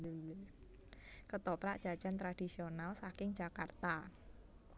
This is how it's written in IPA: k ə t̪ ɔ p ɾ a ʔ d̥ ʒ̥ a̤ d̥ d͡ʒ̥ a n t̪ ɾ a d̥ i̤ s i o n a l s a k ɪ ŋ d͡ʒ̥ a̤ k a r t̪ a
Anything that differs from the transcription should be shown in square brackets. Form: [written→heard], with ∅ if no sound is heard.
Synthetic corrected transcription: k ə t̪ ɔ p ɾ a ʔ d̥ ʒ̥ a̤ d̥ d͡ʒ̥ a n t̪ ɾ a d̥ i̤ s i o n a l s a k ɪ ŋ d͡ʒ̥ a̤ k a r t̪ a